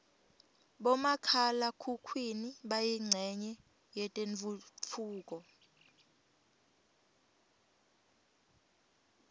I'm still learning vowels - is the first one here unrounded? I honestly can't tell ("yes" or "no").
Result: no